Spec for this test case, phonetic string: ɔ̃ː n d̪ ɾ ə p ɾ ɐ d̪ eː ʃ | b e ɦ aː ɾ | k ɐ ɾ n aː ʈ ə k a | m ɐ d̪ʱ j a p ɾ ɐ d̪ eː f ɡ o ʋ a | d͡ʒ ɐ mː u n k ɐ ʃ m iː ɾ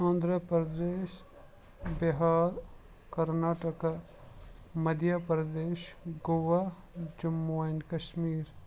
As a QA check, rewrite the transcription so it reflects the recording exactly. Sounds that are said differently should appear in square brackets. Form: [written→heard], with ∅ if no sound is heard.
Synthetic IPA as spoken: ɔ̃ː n d̪ ɾ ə p ɾ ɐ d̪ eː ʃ | b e ɦ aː ɾ | k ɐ ɾ n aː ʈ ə k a | m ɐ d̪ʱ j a p ɾ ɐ d̪ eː [f→ʃ] ɡ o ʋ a | d͡ʒ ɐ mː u n k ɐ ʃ m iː ɾ